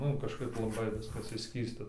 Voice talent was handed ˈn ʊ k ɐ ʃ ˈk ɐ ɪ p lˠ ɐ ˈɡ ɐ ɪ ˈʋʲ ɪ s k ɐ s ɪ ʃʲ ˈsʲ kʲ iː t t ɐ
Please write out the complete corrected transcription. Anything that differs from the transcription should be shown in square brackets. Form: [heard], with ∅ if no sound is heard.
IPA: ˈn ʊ k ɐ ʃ ˈk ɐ ɪ p lˠ ɐ [ˈb] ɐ ɪ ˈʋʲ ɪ s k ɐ s ɪ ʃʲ ˈsʲ kʲ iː [s] t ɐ